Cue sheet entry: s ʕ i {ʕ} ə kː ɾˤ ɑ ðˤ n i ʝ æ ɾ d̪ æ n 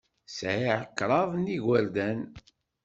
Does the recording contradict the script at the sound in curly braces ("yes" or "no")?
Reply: no